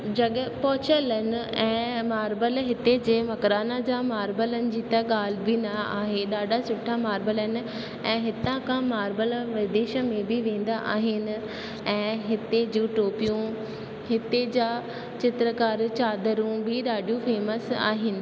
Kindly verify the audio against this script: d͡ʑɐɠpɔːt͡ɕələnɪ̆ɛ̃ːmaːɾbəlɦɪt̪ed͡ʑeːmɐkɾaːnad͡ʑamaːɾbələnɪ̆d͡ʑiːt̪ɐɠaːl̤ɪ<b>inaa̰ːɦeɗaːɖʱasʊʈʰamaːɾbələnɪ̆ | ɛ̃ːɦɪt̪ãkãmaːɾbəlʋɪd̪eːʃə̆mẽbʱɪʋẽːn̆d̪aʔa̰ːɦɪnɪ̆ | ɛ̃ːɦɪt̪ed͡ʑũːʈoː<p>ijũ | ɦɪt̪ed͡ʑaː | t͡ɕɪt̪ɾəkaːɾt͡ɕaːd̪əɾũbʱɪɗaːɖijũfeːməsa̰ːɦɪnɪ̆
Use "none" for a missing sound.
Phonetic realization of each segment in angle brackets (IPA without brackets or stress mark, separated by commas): b, p